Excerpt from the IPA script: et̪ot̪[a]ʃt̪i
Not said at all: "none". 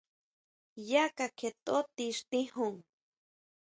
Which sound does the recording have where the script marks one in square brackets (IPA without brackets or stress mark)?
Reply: i